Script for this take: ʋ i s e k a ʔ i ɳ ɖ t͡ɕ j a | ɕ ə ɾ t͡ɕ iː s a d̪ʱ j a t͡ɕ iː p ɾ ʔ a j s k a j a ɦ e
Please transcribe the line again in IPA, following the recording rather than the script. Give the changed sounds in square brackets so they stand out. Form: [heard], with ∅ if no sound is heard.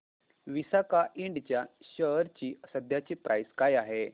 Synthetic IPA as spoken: ʋ i s [a] k a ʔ i ɳ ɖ t͡ɕ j a | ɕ ə ɾ t͡ɕ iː s [ə] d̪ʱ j a t͡ɕ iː p ɾ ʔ a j s k a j a ɦ e